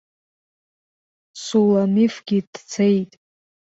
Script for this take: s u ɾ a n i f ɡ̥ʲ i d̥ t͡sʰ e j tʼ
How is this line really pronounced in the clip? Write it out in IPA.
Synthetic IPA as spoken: s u l a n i f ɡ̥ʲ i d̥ t͡sʰ e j tʼ